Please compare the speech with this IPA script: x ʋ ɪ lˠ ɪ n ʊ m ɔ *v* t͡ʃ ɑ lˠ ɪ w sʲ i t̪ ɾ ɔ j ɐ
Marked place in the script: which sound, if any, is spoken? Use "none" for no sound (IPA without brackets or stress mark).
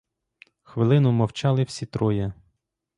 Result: w